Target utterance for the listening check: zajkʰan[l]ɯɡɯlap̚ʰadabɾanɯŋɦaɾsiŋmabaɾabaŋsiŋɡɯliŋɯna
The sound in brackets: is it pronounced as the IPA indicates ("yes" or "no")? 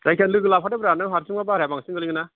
yes